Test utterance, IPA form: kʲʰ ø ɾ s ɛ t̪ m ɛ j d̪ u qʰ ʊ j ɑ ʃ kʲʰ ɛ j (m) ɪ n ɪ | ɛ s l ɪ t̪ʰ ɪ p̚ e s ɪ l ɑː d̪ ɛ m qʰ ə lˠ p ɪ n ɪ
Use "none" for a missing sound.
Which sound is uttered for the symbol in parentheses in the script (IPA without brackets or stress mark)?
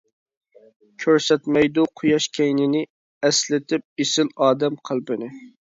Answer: n